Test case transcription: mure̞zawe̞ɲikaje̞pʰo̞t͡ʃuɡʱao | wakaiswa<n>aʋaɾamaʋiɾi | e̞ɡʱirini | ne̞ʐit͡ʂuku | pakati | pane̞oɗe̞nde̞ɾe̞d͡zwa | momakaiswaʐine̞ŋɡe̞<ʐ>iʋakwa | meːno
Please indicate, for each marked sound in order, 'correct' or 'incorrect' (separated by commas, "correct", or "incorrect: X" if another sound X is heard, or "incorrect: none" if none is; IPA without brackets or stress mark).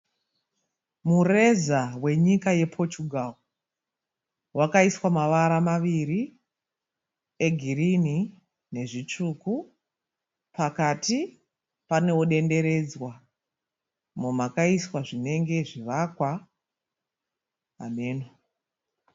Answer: incorrect: m, correct